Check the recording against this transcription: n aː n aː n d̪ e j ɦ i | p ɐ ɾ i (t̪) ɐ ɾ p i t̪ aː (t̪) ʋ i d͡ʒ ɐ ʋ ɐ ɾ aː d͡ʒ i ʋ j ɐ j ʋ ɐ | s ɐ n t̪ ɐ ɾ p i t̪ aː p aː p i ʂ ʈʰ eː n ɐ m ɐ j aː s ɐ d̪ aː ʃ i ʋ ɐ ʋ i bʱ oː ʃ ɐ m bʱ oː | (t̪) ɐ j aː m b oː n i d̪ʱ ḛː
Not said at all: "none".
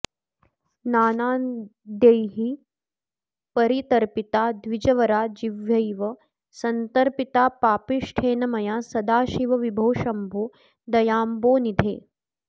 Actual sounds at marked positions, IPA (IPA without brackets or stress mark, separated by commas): t̪, d̪, d̪